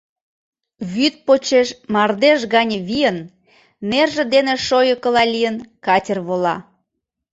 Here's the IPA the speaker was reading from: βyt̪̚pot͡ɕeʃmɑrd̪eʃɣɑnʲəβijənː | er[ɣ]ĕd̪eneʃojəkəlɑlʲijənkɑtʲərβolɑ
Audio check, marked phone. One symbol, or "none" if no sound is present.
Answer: ʒ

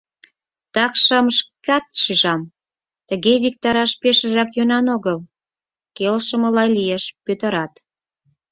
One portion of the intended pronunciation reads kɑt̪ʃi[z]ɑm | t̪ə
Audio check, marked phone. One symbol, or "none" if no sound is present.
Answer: ʒ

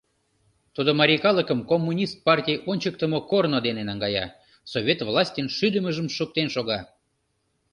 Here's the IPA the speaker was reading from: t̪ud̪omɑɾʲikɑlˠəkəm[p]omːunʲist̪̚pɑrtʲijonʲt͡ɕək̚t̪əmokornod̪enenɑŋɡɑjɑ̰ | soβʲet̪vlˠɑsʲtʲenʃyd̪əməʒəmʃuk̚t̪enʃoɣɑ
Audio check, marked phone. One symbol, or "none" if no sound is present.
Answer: k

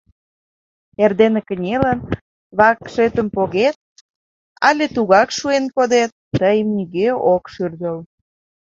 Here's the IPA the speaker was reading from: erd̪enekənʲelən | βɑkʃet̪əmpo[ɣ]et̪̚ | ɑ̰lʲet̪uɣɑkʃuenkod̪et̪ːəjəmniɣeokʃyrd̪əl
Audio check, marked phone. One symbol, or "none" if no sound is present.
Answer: ɣ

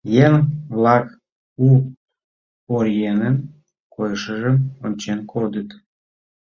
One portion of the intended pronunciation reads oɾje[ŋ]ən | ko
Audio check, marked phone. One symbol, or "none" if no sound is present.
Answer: n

